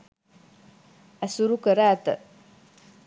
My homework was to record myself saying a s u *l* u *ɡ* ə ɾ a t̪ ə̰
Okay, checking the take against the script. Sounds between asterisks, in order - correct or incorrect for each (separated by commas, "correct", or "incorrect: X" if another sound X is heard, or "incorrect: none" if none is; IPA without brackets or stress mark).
incorrect: ɾ, incorrect: k